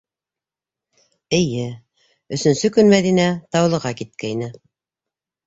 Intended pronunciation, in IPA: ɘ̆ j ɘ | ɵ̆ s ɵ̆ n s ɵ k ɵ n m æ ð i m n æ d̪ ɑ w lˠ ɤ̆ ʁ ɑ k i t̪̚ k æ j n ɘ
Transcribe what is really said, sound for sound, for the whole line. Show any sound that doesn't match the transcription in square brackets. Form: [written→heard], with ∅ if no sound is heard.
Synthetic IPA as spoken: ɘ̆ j ɘ | ɵ̆ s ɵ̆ n s ɵ k ɵ n m æ ð i [m→∅] n æ [d̪→t̪] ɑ w lˠ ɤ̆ ʁ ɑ k i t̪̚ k æ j n ɘ

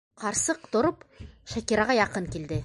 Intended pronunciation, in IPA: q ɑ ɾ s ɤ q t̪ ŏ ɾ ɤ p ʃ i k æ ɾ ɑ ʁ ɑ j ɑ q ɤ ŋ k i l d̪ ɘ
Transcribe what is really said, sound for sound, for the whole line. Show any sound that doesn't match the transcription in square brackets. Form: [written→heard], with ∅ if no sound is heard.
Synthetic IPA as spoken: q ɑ ɾ s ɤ q t̪ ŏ ɾ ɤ p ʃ [i→æ] k [æ→i] ɾ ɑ ʁ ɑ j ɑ q ɤ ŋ k i l d̪ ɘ

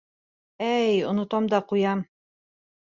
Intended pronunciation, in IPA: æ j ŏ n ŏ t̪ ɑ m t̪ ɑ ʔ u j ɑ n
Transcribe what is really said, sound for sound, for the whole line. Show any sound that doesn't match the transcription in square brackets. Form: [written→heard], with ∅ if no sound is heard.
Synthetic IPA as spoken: æ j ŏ n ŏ t̪ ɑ m [t̪→d̪] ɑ [ʔ→q] u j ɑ [n→m]

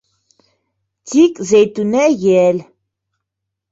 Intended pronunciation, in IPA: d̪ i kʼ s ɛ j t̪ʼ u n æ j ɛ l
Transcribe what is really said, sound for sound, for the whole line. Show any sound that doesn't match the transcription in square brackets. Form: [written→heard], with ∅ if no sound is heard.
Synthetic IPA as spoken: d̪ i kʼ [s→z] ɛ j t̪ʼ u n [æ→ɛ] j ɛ l

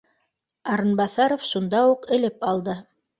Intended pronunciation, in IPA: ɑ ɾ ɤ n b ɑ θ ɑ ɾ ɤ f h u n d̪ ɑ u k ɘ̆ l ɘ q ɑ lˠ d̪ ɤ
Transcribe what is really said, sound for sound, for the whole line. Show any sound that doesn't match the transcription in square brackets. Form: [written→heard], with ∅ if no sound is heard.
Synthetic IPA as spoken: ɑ ɾ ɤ n b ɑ θ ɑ ɾ [ɤ→o] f [h→ʃ] u n d̪ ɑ u [k→q] ɘ̆ l ɘ [q→p] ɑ lˠ d̪ ɤ

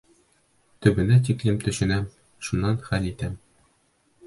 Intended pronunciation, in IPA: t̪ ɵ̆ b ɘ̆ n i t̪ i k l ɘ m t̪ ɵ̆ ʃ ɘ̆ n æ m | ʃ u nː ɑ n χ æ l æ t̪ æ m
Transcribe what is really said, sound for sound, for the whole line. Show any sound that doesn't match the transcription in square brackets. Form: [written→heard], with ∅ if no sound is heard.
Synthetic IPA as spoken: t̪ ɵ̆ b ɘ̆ n [i→æ] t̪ i k l ɘ m t̪ ɵ̆ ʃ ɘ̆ n æ m | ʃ u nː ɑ n χ æ l [æ→i] t̪ æ m

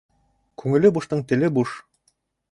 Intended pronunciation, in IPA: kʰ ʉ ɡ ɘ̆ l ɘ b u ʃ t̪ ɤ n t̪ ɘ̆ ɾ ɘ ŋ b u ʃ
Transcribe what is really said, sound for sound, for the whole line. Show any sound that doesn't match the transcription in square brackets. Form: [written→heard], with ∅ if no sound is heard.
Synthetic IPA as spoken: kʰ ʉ [ɡ→ŋ] ɘ̆ l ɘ b u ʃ t̪ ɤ [n→ɴ] t̪ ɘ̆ [ɾ→l] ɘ [ŋ→∅] b u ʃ

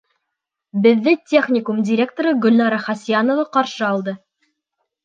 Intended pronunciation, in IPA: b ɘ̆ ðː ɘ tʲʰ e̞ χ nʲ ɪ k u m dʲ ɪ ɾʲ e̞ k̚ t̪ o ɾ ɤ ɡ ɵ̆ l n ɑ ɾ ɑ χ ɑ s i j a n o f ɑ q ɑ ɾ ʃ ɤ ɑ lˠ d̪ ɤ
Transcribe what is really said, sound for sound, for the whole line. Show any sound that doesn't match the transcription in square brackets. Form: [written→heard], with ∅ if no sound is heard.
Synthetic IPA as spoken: b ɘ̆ ðː ɘ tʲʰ e̞ χ nʲ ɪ k u m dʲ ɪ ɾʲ e̞ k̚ t̪ o ɾ ɤ ɡ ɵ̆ l n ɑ ɾ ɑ χ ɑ s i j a n o [f→v] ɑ q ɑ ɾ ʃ ɤ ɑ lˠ d̪ ɤ

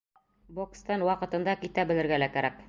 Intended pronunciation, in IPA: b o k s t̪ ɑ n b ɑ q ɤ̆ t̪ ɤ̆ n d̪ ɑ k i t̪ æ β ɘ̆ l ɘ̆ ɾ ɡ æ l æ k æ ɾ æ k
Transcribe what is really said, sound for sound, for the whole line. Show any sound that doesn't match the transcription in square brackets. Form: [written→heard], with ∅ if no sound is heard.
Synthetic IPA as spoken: b o k s t̪ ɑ n [b→w] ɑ q ɤ̆ t̪ ɤ̆ n d̪ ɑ k i t̪ æ [β→b] ɘ̆ l ɘ̆ ɾ ɡ æ l æ k æ ɾ æ k

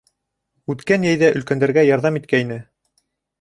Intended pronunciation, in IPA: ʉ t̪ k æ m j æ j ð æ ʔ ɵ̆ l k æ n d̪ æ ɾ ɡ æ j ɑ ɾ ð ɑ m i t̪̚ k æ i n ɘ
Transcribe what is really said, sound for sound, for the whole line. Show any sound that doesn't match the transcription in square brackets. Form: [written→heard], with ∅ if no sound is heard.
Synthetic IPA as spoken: ʉ t̪ k æ [m→n] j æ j ð æ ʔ ɵ̆ l k æ n d̪ æ ɾ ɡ æ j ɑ ɾ ð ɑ m i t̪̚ k æ i n ɘ

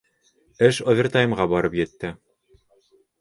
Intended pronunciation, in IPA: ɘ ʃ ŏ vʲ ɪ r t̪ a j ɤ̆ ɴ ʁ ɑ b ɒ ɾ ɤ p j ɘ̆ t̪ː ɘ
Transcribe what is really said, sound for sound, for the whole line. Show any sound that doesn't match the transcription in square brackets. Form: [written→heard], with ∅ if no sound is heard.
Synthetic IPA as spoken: ɘ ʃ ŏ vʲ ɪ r t̪ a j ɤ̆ [ɴ→m] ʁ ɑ b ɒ ɾ ɤ p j ɘ̆ t̪ː ɘ

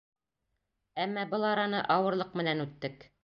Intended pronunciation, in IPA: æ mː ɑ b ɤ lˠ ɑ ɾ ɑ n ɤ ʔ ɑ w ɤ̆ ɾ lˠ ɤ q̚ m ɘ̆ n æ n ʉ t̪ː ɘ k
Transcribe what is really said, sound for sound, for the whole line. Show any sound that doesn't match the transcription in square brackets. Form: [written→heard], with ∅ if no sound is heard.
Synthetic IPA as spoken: æ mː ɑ b ɤ lˠ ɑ ɾ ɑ n ɤ ʔ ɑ w ɤ̆ ɾ lˠ ɤ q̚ m ɘ̆ n æ n ʉ t̪ː ɘ k

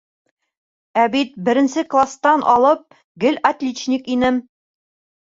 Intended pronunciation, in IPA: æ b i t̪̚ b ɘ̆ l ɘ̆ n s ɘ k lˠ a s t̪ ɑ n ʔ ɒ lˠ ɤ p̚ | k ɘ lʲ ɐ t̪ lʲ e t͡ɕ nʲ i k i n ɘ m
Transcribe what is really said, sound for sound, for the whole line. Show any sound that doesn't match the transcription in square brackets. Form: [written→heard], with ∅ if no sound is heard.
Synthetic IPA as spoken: æ b i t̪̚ b ɘ̆ [l→ɾ] ɘ̆ n s ɘ k lˠ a s t̪ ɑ n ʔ ɒ lˠ ɤ p̚ | [k→ɡ] ɘ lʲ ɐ t̪ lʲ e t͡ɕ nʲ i k i n ɘ m

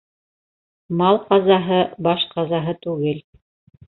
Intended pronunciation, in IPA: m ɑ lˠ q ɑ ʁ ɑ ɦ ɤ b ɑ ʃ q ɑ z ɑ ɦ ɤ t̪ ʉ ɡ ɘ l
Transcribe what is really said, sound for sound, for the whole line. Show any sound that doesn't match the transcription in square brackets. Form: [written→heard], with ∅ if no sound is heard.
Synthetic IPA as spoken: m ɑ lˠ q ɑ [ʁ→z] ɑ ɦ ɤ b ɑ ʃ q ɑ z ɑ ɦ ɤ t̪ ʉ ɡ ɘ l

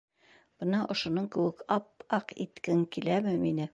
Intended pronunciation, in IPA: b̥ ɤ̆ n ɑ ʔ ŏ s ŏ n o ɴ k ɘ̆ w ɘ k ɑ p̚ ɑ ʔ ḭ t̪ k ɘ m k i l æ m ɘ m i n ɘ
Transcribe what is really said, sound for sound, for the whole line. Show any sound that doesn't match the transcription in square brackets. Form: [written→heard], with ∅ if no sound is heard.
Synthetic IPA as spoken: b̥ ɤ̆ n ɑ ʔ ŏ [s→ʃ] ŏ n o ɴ k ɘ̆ w ɘ k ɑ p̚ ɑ [ʔ→q] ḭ t̪ k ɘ [m→ŋ] k i l æ m ɘ m i n ɘ

